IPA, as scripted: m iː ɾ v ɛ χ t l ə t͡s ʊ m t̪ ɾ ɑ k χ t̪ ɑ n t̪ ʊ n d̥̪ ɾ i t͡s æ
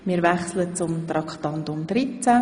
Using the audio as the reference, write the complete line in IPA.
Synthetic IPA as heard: m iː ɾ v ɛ χ s l ə t͡s ʊ m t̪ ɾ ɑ k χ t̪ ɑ n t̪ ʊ m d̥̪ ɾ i t͡s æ